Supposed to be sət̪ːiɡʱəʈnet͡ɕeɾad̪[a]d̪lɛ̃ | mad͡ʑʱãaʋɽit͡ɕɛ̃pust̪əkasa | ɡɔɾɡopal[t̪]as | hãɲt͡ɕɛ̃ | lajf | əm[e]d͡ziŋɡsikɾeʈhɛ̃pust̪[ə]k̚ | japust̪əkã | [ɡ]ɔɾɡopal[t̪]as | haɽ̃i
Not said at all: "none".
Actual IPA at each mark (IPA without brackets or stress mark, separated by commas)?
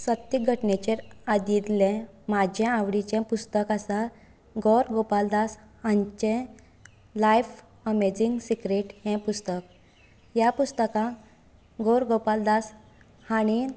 i, d̪, e, ə, ɡ, d̪